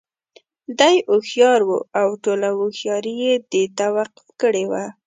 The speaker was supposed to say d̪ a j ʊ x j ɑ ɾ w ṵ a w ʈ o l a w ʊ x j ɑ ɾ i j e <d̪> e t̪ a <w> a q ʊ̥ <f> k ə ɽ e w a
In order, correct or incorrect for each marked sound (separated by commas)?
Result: correct, correct, correct